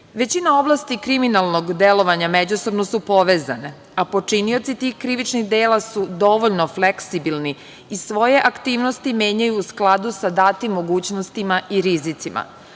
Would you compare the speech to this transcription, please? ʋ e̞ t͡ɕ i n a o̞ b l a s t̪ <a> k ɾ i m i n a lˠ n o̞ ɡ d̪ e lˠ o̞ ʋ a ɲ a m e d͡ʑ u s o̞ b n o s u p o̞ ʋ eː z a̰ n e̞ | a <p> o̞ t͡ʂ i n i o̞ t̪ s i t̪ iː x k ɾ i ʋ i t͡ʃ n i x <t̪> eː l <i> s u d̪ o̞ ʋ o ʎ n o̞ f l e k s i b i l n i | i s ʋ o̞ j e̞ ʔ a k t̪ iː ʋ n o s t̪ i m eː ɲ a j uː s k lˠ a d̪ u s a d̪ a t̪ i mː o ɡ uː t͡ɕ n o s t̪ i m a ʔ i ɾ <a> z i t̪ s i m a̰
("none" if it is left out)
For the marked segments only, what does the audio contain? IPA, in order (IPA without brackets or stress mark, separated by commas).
i, p, d̪, a, i